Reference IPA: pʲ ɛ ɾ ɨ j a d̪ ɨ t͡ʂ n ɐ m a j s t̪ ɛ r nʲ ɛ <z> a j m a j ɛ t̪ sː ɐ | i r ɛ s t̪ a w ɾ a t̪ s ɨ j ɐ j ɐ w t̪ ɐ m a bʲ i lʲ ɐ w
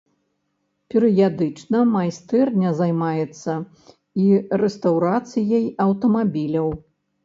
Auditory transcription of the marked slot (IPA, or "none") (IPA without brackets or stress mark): z